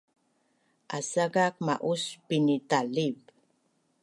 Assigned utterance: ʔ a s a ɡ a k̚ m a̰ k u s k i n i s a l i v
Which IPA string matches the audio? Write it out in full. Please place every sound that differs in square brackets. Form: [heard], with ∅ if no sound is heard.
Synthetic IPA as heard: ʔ a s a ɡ a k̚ m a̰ [ʔ] u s [p] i n i [t] a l i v